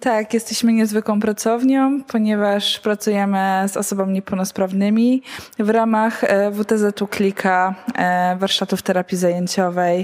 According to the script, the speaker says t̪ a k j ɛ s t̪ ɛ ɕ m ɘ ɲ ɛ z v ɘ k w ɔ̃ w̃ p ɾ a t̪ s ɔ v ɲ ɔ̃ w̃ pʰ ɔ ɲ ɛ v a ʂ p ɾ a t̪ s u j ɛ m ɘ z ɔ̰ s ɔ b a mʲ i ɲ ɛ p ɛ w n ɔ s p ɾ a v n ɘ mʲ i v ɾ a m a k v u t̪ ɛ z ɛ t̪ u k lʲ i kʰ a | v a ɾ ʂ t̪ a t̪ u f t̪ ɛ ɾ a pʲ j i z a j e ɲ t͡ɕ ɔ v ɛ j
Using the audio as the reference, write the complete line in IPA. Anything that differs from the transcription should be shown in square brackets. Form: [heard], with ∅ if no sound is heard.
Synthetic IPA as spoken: t̪ a k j ɛ s t̪ ɛ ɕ m ɘ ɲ ɛ z v ɘ k w ɔ̃ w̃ p ɾ a t̪ s ɔ v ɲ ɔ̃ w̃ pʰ ɔ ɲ ɛ v a ʂ p ɾ a t̪ s u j ɛ m ɘ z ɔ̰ s ɔ b a mʲ i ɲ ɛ p ɛ w n ɔ s p ɾ a v n ɘ mʲ i v ɾ a m a [x] v u t̪ ɛ z ɛ t̪ u k lʲ i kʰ a | v a ɾ ʂ t̪ a t̪ u f t̪ ɛ ɾ a pʲ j i z a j e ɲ t͡ɕ ɔ v ɛ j